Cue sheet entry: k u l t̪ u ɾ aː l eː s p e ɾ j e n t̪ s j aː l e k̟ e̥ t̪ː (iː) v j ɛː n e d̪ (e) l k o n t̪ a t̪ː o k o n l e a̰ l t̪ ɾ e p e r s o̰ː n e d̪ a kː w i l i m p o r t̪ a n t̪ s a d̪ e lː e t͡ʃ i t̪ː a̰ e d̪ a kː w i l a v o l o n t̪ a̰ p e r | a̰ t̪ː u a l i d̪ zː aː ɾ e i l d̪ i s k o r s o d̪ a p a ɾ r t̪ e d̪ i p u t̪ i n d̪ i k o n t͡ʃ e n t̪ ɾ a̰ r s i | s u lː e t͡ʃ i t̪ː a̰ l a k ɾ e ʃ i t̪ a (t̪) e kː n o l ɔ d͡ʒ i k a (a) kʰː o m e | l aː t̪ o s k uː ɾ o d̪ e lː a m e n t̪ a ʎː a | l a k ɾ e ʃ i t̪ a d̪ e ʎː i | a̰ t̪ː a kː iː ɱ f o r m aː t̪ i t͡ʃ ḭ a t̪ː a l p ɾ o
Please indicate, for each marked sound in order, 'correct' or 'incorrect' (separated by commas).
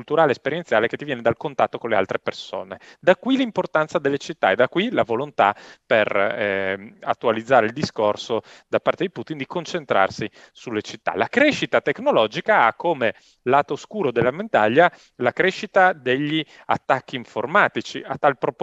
incorrect, incorrect, correct, correct